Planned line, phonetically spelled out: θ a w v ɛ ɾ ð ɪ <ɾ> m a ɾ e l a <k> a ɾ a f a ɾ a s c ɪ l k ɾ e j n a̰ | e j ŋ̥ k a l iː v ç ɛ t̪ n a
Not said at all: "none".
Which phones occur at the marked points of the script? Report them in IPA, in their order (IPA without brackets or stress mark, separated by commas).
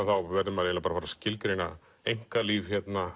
none, p